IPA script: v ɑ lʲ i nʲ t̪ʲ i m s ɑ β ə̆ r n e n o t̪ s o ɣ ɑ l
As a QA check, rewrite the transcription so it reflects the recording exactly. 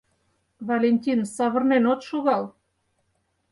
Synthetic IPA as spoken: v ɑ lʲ e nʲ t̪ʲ i n s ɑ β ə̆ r n e n o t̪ ʃ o ɣ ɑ l